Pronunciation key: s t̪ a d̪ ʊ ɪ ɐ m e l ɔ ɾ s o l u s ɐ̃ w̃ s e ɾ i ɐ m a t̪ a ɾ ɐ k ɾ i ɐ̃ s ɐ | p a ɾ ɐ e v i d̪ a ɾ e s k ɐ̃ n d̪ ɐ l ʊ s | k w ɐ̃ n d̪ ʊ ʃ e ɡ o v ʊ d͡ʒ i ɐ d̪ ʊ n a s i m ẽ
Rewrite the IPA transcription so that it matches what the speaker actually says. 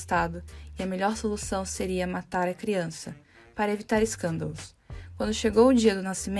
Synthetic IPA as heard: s t̪ a d̪ ʊ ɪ ɐ m e ʎ ɔ ɾ s o l u s ɐ̃ w̃ s e ɾ i ɐ m a t̪ a ɾ ɐ k ɾ i ɐ̃ s ɐ | p a ɾ ɐ e v i t̪ a ɾ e s k ɐ̃ n d̪ ɐ l ʊ s | k w ɐ̃ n d̪ ʊ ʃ e ɡ o w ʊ d͡ʒ i ɐ d̪ ʊ n a s i m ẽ